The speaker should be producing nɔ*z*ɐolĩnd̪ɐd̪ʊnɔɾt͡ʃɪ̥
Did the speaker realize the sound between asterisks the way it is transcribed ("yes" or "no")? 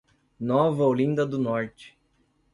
no